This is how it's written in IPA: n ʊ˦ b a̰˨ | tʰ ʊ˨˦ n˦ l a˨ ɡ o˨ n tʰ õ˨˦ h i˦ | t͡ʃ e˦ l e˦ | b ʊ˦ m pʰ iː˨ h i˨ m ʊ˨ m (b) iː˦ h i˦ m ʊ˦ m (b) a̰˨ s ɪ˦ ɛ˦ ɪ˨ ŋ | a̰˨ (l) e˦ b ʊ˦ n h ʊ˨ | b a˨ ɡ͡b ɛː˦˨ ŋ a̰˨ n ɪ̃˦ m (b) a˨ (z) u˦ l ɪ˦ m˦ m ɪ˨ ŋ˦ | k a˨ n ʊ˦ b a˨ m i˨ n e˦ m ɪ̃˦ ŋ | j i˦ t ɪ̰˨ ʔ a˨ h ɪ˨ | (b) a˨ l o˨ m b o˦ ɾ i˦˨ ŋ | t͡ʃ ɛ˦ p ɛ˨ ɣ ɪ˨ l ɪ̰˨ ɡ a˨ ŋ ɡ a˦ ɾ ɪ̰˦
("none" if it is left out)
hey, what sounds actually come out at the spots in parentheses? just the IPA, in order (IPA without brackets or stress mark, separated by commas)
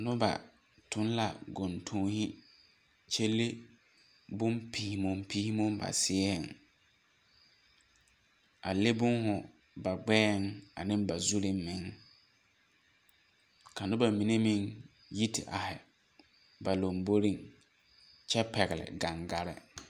p, b, l, b, z, b